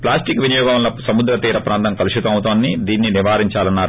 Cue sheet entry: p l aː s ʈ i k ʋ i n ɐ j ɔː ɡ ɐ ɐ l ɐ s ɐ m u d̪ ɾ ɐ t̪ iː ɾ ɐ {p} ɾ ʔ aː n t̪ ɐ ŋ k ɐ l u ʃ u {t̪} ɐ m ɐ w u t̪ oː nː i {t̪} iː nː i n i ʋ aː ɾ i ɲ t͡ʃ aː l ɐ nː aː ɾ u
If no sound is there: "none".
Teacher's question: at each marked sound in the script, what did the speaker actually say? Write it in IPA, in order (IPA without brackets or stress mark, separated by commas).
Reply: p, t̪, d̪